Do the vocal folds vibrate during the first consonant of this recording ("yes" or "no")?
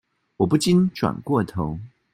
yes